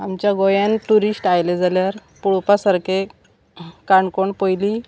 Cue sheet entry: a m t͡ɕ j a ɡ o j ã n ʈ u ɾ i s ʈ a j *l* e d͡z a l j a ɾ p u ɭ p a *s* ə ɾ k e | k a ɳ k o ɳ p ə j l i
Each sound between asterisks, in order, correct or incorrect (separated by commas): correct, correct